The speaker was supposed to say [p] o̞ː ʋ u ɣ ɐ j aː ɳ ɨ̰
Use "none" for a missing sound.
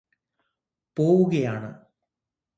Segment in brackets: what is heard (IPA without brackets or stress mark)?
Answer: p